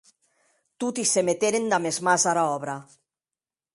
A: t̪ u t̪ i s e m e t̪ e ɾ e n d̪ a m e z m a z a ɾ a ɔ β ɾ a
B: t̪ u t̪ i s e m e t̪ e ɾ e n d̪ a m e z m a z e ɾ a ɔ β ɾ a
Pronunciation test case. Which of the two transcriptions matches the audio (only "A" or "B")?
A